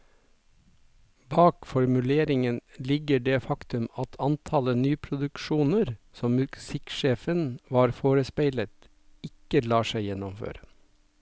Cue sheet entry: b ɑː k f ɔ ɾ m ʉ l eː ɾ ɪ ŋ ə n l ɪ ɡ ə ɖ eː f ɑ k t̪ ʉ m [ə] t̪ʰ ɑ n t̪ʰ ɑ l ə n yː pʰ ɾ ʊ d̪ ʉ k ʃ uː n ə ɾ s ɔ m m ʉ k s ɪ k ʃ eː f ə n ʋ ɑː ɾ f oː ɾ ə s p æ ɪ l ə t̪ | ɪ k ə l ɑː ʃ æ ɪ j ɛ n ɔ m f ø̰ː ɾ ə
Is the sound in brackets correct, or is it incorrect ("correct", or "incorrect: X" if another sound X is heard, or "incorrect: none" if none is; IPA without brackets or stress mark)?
incorrect: ɑ